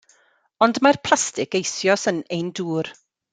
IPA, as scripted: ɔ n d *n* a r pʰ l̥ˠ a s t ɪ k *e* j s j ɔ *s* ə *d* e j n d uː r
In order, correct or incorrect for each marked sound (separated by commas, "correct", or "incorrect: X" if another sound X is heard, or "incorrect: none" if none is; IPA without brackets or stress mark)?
incorrect: m, correct, correct, incorrect: n